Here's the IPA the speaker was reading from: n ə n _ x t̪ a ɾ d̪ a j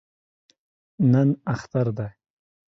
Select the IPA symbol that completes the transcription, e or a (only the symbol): a